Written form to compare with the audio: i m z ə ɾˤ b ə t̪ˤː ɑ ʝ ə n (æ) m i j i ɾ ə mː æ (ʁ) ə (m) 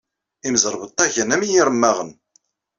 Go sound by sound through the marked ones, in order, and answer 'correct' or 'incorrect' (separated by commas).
correct, correct, incorrect